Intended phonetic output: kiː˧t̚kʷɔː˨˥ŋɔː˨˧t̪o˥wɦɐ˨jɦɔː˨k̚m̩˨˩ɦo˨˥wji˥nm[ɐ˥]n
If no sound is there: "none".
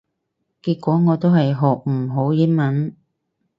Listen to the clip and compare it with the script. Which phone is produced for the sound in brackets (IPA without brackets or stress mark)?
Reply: ɐ˨˥